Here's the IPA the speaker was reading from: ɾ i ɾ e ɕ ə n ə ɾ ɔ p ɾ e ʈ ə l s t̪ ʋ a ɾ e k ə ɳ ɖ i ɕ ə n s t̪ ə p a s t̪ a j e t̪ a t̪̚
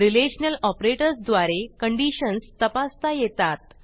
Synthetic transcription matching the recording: ɾ i l e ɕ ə n ə l ɔ p ɾ e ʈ ə ɾ s d̪ ʋ a ɾ e k ə ɳ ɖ i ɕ ə n s t̪ ə p a s t̪ a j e t̪ a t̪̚